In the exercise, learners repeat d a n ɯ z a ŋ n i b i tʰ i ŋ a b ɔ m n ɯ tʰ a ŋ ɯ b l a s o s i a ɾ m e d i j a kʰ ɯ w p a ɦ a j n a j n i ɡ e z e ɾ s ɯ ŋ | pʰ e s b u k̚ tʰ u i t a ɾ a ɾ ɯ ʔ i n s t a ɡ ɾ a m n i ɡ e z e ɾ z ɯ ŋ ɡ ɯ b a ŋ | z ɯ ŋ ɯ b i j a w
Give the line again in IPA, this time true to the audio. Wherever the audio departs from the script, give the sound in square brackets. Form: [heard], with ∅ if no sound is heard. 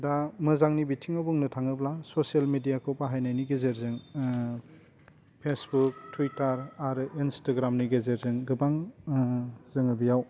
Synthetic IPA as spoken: d a [m] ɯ z a ŋ n i b i tʰ i ŋ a b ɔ [ŋ] n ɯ tʰ a ŋ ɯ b l a s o s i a [l] m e d i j a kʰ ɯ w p a ɦ a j n a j n i ɡ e z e ɾ [z] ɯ ŋ | pʰ e s b u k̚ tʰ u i t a ɾ a ɾ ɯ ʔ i n s t a ɡ ɾ a m n i ɡ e z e ɾ z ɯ ŋ ɡ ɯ b a ŋ | z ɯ ŋ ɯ b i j a w